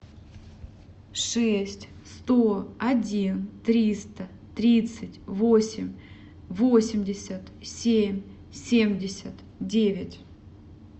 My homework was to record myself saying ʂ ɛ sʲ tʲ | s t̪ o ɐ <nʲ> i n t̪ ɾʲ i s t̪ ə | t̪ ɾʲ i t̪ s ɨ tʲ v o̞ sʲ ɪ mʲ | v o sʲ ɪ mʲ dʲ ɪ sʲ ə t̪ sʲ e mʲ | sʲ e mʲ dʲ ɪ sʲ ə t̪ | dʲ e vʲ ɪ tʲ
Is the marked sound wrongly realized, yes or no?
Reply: yes